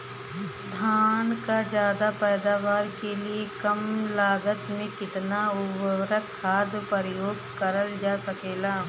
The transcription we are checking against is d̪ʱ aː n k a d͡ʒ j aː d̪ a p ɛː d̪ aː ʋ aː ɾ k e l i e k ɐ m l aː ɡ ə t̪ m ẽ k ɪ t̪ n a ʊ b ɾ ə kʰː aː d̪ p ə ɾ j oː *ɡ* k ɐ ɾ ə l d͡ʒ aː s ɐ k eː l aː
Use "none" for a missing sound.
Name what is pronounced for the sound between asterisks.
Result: ɡ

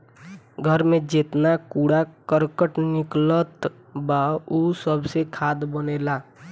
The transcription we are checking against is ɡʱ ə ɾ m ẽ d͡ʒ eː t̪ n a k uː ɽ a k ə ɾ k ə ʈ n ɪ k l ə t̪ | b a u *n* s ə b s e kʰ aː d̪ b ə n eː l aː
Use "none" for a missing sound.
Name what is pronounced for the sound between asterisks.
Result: none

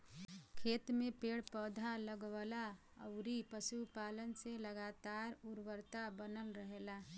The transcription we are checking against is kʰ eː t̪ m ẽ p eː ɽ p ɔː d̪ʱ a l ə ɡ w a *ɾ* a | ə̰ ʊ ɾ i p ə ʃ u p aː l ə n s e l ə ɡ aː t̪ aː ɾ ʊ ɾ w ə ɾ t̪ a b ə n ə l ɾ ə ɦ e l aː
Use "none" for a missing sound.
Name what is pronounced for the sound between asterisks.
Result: l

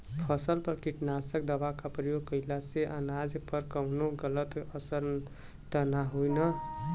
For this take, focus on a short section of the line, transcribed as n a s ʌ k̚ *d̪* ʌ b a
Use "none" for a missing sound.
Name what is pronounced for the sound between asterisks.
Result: d̪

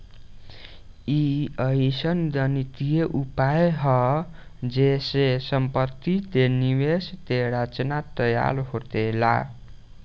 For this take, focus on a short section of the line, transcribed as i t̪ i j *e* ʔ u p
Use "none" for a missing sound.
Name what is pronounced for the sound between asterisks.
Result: e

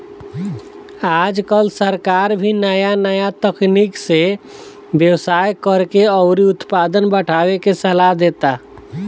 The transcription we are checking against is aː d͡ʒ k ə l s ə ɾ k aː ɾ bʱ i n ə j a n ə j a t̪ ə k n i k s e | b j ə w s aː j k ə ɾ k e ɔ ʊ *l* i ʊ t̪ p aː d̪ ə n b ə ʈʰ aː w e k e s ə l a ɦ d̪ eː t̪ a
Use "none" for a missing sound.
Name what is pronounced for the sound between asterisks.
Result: ɾ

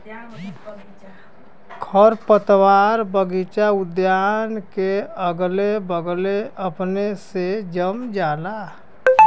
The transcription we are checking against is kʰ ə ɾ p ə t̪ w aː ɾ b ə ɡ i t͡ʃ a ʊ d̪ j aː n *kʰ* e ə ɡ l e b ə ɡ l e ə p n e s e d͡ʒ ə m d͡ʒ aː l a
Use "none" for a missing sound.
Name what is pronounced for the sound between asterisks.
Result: k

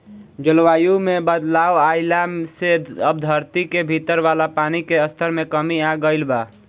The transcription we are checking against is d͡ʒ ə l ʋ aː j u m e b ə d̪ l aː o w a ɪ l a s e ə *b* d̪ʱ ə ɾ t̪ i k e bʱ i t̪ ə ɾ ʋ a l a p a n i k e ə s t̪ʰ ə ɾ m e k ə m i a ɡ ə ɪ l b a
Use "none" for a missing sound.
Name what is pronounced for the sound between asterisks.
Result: b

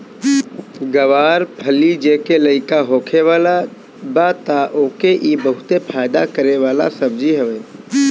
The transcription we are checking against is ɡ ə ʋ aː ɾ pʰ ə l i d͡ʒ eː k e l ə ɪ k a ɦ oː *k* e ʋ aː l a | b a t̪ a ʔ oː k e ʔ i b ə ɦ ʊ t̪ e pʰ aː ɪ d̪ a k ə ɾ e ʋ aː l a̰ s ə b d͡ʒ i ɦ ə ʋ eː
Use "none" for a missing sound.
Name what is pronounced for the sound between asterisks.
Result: kʰ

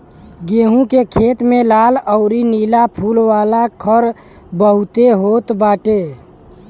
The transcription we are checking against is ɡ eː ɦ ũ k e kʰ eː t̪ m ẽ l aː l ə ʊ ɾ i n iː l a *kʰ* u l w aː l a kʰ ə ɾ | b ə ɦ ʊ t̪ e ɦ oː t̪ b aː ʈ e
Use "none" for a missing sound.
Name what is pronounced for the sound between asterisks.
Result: pʰ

